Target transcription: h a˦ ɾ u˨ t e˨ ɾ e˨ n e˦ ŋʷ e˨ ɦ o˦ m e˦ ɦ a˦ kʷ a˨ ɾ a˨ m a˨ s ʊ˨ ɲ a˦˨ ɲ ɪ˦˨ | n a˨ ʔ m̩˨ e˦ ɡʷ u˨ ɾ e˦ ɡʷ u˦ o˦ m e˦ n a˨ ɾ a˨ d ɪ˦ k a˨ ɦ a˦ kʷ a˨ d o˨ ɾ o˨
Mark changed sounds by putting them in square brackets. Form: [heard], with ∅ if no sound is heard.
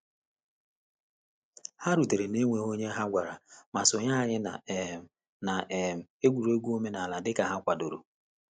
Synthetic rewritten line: h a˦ ɾ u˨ t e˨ ɾ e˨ n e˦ ŋʷ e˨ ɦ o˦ [ɲ] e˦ ɦ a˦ [ɡʷ] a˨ ɾ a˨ m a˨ s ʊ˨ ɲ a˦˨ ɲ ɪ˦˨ | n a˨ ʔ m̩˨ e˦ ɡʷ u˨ ɾ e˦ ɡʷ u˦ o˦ m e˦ n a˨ [l] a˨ d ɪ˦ k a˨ ɦ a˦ kʷ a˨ d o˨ ɾ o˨